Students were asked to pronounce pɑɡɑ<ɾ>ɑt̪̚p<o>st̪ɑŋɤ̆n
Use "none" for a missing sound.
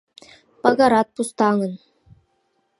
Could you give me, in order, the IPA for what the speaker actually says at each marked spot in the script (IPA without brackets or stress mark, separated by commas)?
ɾ, u